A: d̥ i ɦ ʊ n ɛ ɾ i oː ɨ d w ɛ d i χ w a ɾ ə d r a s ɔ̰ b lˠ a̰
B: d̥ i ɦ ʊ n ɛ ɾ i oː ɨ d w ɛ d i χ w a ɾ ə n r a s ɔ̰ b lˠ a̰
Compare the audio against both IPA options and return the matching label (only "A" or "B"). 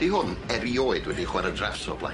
A